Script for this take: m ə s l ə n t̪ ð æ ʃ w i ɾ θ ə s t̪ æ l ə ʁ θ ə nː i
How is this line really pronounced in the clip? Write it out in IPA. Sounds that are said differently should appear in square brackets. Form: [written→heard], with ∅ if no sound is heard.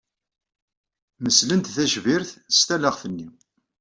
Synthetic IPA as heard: m ə s l ə n t̪ [ð→θ] æ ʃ [w→v] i ɾ θ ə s t̪ æ l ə ʁ θ ə nː i